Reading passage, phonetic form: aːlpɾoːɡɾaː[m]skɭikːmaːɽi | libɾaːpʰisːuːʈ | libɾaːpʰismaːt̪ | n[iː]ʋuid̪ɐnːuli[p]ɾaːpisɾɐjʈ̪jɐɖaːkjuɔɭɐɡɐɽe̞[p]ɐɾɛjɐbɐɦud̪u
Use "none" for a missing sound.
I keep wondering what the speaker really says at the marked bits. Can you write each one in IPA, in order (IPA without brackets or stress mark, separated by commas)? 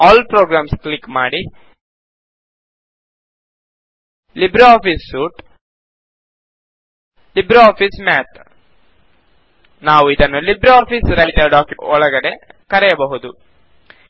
m, aː, b, k